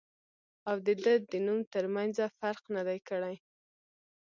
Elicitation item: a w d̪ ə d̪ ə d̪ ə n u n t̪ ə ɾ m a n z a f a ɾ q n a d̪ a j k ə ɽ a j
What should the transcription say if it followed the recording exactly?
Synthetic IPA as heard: a w d̪ ə d̪ ə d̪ ə n u m t̪ ə ɾ m a n z a f a ɾ q n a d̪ a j k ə ɽ a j